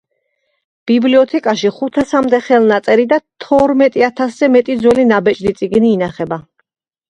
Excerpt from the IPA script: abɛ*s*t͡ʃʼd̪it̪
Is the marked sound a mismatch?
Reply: yes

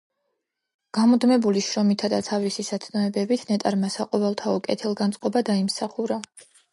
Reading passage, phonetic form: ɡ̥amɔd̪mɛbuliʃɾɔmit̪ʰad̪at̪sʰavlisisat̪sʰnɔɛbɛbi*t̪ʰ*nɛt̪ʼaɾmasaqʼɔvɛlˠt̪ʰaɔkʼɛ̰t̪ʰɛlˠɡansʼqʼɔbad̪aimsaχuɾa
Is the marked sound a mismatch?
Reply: no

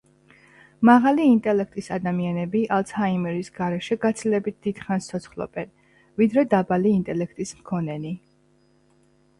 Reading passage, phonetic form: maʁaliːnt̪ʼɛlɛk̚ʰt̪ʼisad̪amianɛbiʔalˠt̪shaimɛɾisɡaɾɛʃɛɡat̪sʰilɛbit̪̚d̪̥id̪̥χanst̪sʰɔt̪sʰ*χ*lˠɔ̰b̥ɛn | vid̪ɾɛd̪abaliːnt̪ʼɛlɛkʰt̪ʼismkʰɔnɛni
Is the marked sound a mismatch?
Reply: no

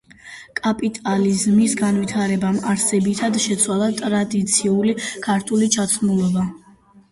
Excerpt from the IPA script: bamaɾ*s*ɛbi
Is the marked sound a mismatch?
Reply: no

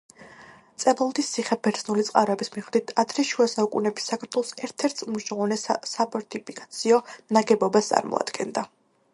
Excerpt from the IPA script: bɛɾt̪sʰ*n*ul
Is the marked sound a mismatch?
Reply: no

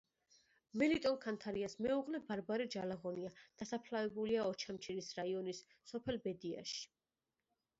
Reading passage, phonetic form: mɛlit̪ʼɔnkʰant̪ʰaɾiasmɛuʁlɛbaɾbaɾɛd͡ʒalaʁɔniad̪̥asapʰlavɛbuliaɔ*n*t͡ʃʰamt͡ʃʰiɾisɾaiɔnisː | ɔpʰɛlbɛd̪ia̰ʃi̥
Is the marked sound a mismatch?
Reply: yes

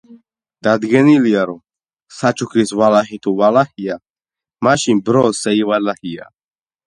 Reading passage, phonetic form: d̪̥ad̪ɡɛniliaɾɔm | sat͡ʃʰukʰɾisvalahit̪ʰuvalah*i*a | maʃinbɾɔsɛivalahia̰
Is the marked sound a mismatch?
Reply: no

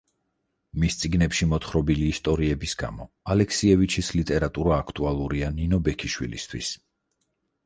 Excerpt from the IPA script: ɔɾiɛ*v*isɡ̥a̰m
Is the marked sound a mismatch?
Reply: yes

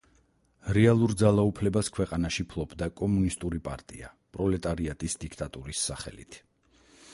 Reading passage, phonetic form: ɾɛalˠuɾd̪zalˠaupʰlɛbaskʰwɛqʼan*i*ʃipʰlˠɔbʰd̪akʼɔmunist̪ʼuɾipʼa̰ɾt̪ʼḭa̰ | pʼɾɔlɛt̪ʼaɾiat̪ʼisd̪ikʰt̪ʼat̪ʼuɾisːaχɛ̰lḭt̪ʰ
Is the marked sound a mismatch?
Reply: yes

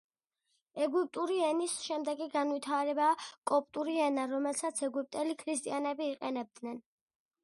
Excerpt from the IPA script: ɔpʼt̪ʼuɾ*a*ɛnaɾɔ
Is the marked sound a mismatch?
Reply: yes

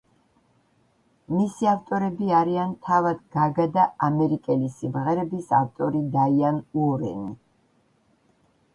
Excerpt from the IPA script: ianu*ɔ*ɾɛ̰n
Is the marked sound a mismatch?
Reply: no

